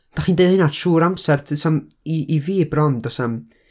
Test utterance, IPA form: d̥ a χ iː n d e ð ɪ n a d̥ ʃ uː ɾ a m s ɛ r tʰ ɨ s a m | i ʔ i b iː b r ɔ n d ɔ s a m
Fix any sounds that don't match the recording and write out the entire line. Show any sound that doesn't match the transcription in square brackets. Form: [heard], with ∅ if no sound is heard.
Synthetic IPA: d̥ a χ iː n d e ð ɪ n a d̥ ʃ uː ɾ a m s ɛ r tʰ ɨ s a m | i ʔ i [v] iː b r ɔ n d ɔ s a m